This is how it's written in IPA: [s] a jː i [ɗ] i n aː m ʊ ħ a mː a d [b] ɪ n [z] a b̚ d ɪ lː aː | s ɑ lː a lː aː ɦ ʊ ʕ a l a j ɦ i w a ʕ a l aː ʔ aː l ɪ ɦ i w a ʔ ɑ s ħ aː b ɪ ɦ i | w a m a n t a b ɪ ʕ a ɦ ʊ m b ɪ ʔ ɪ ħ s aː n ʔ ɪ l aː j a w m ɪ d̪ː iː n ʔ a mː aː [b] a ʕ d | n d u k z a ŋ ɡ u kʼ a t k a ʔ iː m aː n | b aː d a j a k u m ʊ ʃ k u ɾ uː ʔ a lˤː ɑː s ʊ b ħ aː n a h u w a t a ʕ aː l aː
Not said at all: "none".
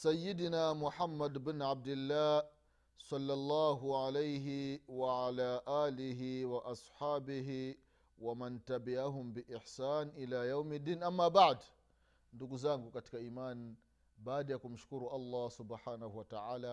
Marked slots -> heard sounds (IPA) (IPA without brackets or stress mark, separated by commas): s, d, b, ʕ, b